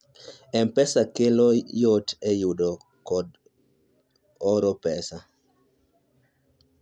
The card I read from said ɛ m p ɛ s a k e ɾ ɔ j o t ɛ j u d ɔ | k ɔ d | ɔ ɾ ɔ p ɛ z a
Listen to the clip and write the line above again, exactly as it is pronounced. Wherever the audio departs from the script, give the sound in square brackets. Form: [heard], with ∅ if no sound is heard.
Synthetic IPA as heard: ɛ m p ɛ s a k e [l] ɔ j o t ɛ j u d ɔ | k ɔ d | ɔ ɾ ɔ p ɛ [s] a